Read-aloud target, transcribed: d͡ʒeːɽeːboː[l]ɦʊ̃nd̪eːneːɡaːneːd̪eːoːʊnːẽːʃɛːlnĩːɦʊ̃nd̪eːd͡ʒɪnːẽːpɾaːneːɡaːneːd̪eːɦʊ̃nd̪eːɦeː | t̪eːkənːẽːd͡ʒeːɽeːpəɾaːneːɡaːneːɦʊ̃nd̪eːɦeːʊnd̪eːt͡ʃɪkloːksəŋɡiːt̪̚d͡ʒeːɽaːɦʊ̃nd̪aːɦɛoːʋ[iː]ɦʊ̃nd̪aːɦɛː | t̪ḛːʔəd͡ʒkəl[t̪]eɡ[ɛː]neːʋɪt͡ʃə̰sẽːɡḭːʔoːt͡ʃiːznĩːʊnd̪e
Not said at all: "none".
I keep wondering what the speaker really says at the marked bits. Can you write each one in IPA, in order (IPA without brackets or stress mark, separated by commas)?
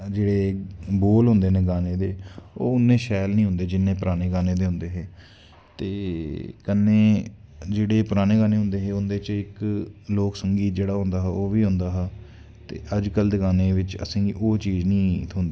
l, iː, d̪, aː